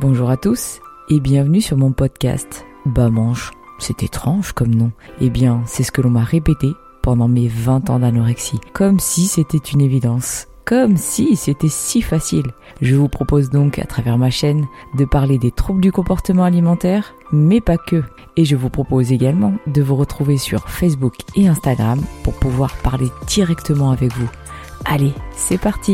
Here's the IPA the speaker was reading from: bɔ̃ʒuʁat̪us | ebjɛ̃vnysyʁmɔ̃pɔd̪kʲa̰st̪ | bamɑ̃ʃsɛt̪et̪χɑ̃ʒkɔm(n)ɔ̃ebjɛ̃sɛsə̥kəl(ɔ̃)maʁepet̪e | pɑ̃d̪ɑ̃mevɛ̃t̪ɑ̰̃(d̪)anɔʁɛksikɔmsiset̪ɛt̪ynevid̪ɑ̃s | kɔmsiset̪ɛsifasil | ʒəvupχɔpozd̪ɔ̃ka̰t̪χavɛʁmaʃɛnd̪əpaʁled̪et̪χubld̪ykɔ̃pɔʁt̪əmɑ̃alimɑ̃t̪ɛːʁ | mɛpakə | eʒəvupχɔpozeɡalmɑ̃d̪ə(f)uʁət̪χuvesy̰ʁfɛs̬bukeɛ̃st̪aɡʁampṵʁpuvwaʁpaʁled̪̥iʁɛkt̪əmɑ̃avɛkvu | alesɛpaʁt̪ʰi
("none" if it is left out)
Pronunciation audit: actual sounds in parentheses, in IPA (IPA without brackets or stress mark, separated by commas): n, ɔ̃, d̪, v